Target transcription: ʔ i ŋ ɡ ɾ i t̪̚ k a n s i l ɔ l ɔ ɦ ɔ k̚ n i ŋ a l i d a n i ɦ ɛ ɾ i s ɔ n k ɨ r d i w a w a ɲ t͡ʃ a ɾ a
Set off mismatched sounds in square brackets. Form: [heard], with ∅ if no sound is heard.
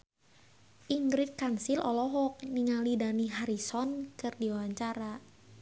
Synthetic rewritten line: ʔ i ŋ ɡ ɾ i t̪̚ k a n s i l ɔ l ɔ ɦ ɔ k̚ n i ŋ a l i d a n i ɦ [a] ɾ i s ɔ n k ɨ r d i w a w a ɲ t͡ʃ a ɾ a